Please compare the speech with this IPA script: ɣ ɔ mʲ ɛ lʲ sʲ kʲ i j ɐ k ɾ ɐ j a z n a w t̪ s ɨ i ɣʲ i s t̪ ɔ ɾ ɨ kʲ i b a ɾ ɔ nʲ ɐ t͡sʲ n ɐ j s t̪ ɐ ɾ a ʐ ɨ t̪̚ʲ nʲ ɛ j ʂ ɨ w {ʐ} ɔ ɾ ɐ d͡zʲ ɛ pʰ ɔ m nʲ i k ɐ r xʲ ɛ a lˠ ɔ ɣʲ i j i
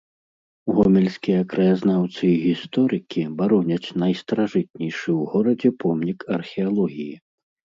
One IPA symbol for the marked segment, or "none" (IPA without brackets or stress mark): ɣ